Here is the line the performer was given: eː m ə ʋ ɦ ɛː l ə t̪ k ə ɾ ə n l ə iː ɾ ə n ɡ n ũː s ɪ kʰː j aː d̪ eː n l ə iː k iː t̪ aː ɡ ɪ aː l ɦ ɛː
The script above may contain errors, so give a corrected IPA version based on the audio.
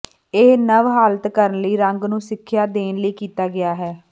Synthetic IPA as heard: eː n ə ʋ ɦ aː l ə t̪ k ə ɾ ə n l ə iː ɾ ə ŋ ɡ n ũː s ɪ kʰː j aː d̪ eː n l ə iː k iː t̪ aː ɡ ɪ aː ɦ ɛː